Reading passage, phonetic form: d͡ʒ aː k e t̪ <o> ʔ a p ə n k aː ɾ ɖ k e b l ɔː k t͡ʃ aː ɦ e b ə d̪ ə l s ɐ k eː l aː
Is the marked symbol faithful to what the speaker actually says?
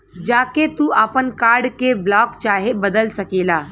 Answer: no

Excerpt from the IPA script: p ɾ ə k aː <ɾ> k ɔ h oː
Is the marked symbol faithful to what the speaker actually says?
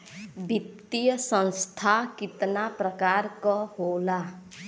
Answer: yes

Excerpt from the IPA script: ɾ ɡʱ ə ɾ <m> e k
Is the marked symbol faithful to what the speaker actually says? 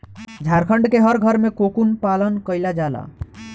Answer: yes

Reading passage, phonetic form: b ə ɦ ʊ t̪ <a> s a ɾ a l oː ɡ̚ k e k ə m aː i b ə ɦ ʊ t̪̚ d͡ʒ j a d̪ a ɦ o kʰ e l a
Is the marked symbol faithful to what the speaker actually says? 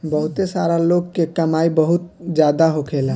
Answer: no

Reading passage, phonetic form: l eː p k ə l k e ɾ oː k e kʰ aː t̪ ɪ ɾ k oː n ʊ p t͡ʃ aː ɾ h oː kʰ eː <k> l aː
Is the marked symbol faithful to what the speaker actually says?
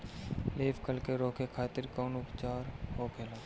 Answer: no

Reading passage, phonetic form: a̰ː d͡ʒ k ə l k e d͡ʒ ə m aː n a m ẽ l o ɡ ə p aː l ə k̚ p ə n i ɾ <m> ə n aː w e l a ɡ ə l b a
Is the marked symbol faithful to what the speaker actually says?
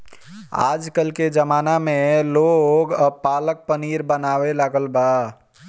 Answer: no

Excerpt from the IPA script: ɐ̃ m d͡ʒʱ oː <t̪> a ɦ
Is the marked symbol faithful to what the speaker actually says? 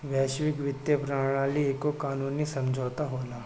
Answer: yes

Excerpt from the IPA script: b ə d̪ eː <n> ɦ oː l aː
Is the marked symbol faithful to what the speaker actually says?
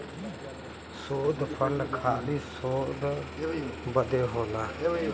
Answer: no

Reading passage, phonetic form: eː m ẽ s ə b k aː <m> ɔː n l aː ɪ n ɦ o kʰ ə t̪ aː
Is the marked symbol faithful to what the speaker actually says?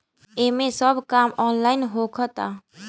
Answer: yes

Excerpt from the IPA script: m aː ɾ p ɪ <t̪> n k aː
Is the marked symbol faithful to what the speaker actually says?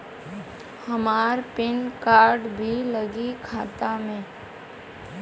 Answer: no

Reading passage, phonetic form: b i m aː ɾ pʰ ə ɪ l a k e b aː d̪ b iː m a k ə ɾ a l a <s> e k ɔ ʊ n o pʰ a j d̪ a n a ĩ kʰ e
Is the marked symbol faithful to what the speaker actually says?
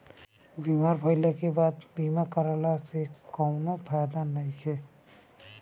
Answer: yes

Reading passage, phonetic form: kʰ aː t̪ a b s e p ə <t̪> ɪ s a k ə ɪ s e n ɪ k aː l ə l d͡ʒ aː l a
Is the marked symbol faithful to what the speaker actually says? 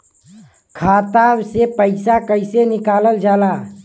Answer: no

